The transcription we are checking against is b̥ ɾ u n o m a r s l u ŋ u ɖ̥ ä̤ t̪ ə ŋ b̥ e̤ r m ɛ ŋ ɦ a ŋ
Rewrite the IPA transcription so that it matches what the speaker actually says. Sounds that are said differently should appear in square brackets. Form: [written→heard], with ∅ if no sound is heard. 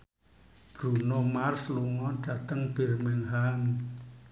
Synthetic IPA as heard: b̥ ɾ u n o m a r s l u ŋ [u→ɔ] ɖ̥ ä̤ t̪ ə ŋ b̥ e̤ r m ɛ ŋ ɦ a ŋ